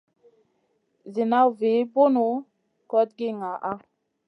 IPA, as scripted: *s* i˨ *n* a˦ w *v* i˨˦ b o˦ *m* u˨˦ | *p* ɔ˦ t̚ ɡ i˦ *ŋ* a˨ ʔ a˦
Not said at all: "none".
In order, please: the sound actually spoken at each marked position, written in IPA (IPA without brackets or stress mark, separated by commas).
z, n, v, n, k, ŋ